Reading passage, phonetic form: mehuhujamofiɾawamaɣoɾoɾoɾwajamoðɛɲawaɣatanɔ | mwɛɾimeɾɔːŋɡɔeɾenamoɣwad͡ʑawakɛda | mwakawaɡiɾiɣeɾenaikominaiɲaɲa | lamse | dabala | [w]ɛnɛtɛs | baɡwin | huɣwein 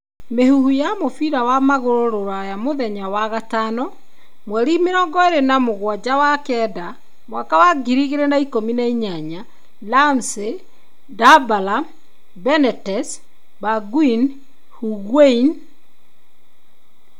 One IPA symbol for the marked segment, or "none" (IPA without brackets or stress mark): b